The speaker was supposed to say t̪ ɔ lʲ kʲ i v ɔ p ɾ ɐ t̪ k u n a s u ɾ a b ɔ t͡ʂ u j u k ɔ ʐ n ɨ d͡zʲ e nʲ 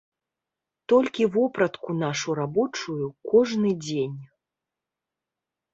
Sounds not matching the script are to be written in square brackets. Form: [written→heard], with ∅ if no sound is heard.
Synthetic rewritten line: t̪ ɔ lʲ kʲ i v ɔ p ɾ ɐ t̪ k u n a [s→ʂ] u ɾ a b ɔ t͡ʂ u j u k ɔ ʐ n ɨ d͡zʲ e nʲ

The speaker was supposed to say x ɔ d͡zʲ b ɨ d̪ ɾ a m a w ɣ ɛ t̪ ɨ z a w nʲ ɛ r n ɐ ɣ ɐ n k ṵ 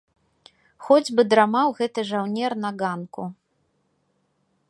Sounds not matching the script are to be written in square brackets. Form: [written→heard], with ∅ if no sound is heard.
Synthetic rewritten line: x ɔ d͡zʲ b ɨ d̪ ɾ a m a w ɣ ɛ t̪ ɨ [z→ʐ] a w nʲ ɛ r n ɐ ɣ [ɐ→a] n k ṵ

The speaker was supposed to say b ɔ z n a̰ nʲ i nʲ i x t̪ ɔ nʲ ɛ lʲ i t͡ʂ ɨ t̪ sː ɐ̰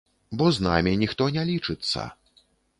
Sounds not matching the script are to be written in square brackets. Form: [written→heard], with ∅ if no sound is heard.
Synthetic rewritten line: b ɔ z n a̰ [nʲ→mʲ] i nʲ i x t̪ ɔ nʲ ɛ lʲ i t͡ʂ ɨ t̪ sː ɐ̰

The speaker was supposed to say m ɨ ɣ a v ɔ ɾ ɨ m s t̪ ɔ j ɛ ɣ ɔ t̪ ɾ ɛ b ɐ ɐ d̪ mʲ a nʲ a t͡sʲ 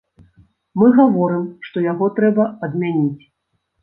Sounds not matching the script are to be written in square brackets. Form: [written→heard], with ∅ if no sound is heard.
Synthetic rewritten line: m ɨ ɣ a v ɔ ɾ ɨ m [s→ʂ] t̪ ɔ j [ɛ→a] ɣ ɔ t̪ ɾ ɛ b ɐ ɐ d̪ mʲ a nʲ [a→i] t͡sʲ

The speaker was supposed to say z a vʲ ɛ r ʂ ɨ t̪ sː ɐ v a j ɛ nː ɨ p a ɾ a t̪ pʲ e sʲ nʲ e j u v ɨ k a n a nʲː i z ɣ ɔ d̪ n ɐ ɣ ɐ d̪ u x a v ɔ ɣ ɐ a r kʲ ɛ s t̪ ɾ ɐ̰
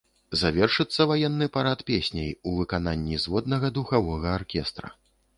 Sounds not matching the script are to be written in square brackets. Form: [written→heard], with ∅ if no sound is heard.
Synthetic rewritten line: z a vʲ ɛ r ʂ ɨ t̪ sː ɐ v a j ɛ nː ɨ p a ɾ a t̪ pʲ e sʲ nʲ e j u v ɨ k a n a nʲː i z [ɣ→v] ɔ d̪ n ɐ ɣ ɐ d̪ u x a v ɔ ɣ ɐ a r kʲ ɛ s t̪ ɾ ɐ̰

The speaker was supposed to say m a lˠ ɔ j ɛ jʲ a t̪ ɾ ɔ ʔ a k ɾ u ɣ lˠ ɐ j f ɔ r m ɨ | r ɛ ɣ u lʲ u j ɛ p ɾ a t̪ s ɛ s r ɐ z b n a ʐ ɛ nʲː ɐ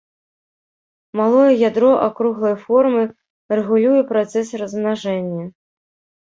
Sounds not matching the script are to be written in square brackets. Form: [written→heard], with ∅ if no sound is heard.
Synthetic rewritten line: m a lˠ ɔ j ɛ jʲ a [t̪→d̪] ɾ ɔ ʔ a k ɾ u ɣ lˠ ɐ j f ɔ r m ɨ | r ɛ ɣ u lʲ u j ɛ p ɾ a t̪ s ɛ s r ɐ z [b→m] n a ʐ ɛ nʲː ɐ

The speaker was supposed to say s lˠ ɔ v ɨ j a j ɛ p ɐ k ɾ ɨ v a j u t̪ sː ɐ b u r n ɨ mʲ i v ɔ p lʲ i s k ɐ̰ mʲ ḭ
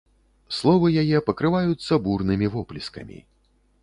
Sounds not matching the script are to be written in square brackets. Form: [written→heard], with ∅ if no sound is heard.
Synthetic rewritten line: s lˠ ɔ v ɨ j a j ɛ p ɐ k ɾ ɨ v a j u t̪ sː ɐ b u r n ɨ mʲ i v ɔ p lʲ i s k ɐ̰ mʲ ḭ

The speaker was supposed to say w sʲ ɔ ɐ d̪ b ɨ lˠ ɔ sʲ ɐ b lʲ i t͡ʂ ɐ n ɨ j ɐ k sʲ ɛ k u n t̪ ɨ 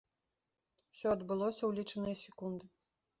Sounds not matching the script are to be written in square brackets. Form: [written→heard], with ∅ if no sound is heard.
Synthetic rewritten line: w sʲ ɔ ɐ d̪ b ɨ lˠ ɔ sʲ ɐ [b→w] lʲ i t͡ʂ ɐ n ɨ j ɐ [k→∅] sʲ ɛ k u n [t̪→d̪] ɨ

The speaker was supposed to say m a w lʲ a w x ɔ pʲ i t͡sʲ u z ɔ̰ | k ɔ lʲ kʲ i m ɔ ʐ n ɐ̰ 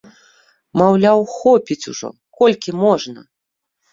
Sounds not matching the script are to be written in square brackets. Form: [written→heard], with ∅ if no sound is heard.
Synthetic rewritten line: m a w lʲ a w x ɔ pʲ i t͡sʲ u [z→ʐ] ɔ̰ | k ɔ lʲ kʲ i m ɔ ʐ n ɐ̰

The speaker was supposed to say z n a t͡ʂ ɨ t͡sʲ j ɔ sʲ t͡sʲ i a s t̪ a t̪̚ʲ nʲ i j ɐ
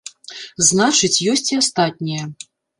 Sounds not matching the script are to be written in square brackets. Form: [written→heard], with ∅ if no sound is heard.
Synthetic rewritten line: z n a t͡ʂ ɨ t͡sʲ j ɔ sʲ t͡sʲ i a s t̪ a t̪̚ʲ nʲ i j ɐ

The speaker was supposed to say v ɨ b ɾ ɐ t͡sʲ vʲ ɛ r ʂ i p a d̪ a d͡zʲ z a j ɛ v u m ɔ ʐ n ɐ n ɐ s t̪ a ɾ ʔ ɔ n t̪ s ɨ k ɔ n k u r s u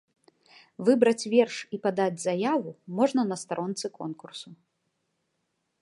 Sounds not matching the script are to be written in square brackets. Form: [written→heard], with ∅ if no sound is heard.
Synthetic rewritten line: v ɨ b ɾ ɐ t͡sʲ vʲ ɛ r ʂ i p a d̪ a d͡zʲ z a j [ɛ→a] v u m ɔ ʐ n ɐ n ɐ s t̪ a ɾ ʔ ɔ n t̪ s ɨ k ɔ n k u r s u

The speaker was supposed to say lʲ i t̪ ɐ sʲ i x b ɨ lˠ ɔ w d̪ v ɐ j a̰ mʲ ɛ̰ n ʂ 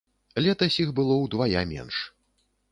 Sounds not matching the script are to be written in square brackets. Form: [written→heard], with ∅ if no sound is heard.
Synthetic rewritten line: lʲ [i→ɛ] t̪ ɐ sʲ i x b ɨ lˠ ɔ w d̪ v [ɐ→a] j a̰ mʲ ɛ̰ n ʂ

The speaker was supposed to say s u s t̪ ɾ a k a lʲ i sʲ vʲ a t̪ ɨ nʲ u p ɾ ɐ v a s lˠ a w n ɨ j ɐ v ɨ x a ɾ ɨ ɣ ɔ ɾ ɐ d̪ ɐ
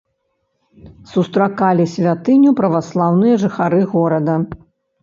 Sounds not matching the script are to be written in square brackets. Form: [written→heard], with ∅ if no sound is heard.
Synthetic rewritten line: s u s t̪ ɾ a k a lʲ i sʲ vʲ a t̪ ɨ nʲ u p ɾ ɐ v a s lˠ a w n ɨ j ɐ [v→ʐ] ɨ x a ɾ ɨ ɣ ɔ ɾ ɐ d̪ ɐ

